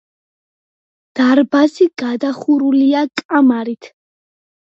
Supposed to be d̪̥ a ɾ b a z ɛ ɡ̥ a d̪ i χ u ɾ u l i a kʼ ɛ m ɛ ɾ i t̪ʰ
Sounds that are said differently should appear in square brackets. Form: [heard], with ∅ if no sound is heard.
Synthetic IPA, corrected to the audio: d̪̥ a ɾ b a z [i] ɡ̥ a d̪ [a] χ u ɾ u l i a kʼ [a] m [a] ɾ i t̪ʰ